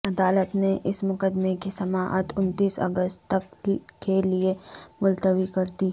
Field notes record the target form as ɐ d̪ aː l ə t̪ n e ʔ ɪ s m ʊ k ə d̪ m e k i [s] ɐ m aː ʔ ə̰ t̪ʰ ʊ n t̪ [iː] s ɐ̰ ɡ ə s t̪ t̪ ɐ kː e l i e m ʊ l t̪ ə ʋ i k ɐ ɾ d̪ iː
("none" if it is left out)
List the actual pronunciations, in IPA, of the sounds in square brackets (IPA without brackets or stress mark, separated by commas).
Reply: s, iː